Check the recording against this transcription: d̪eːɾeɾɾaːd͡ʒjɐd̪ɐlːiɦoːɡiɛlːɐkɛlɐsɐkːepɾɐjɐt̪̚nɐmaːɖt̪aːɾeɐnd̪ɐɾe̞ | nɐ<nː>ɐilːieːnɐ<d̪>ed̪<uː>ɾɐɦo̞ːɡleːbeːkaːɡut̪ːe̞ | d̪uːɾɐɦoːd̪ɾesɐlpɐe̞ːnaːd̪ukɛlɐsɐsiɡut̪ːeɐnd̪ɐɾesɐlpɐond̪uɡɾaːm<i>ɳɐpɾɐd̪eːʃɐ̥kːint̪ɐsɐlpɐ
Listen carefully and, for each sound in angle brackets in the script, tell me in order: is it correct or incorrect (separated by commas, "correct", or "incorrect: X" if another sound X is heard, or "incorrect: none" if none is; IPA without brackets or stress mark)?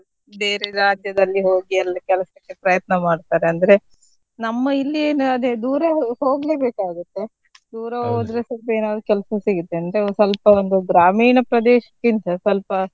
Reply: incorrect: mː, correct, correct, incorrect: iː